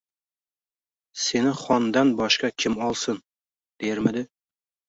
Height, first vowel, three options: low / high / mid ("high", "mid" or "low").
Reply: mid